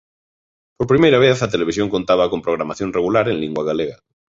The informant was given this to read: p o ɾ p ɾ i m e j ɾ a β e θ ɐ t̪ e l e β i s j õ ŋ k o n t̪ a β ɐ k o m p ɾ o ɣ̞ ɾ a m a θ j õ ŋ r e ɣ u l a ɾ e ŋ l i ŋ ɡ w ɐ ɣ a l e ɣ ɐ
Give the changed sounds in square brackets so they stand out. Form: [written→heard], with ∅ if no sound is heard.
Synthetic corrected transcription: p o ɾ p ɾ i m e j ɾ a β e θ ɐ t̪ e l e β i s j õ ŋ k o n t̪ a β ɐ k o m p ɾ o ɣ̞ ɾ a m a θ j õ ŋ r e ɣ u l a ɾ e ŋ l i ŋ ɡ w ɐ ɣ a l e ɣ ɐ